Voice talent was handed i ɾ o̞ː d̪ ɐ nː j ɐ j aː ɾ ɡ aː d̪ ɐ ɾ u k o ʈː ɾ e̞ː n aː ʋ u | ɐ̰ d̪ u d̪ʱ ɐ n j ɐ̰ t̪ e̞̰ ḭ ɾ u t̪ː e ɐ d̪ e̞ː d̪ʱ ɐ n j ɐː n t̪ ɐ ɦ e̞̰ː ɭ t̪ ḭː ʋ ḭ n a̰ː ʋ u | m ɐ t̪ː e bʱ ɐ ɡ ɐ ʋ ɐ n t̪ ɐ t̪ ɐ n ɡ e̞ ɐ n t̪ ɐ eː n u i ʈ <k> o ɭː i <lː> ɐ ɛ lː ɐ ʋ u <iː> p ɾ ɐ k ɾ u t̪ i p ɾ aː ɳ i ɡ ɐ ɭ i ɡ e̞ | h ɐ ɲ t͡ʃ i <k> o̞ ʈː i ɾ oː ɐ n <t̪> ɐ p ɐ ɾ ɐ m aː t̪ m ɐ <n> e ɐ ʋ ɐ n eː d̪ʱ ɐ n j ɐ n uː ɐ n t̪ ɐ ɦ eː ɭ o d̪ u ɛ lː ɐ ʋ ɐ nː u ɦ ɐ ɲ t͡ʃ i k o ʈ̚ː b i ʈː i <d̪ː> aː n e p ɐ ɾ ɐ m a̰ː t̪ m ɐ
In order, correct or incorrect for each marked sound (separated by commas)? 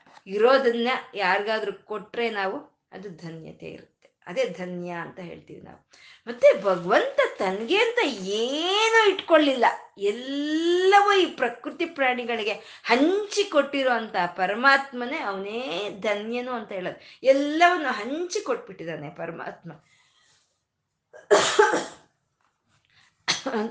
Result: correct, correct, correct, correct, correct, correct, incorrect